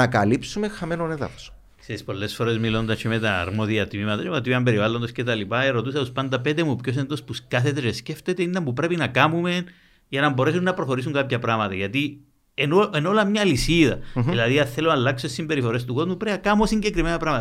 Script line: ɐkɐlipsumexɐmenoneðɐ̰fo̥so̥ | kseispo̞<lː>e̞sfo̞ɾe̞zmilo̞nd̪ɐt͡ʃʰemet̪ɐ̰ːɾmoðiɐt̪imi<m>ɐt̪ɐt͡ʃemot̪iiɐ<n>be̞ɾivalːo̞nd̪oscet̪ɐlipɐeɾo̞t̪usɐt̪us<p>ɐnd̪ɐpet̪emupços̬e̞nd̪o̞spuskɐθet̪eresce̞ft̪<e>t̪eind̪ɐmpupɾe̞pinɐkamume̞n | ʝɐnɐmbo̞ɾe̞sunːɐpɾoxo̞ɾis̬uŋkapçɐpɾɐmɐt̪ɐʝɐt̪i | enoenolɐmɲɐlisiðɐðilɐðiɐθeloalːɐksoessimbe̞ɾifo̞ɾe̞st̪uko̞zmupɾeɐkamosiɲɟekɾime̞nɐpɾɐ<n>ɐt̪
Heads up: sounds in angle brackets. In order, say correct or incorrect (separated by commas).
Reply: correct, correct, incorrect, correct, correct, incorrect